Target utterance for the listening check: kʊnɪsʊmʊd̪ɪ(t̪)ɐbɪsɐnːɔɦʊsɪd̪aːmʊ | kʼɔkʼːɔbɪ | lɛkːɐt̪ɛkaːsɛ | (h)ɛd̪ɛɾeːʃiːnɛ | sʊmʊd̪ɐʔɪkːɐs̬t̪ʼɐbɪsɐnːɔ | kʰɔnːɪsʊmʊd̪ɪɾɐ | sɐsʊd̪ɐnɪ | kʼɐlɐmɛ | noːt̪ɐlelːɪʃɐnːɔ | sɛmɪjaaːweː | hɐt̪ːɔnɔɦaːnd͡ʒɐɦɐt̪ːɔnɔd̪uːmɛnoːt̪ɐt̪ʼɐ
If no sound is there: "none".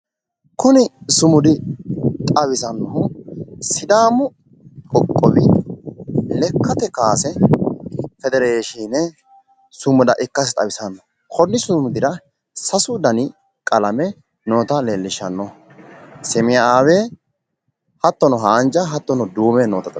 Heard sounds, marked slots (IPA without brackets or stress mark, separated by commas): t̪ʼ, f